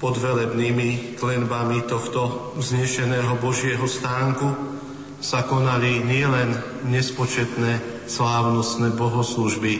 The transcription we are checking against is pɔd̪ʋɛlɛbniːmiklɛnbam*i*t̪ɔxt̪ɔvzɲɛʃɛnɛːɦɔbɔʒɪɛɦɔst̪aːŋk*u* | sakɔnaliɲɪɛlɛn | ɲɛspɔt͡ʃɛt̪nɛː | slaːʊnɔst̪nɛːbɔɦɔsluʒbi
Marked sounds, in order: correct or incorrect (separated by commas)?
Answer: correct, correct